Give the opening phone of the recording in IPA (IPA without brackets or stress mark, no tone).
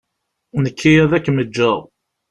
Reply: n